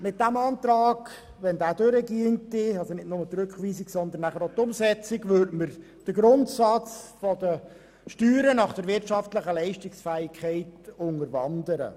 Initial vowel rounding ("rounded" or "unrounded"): unrounded